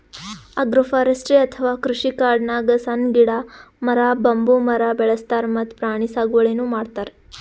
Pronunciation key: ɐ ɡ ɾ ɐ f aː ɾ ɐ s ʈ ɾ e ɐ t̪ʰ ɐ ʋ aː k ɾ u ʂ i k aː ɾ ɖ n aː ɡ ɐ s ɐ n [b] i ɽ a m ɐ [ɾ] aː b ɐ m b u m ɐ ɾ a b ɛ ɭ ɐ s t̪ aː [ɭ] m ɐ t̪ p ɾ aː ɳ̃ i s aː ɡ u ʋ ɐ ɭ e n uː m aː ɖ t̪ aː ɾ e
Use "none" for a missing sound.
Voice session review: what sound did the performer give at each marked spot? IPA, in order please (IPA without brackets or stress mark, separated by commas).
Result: ɡ, ɾ, ɾ